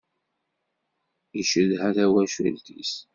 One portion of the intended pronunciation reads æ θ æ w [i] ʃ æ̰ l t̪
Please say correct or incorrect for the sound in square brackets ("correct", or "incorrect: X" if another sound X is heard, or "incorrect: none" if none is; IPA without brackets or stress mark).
incorrect: æ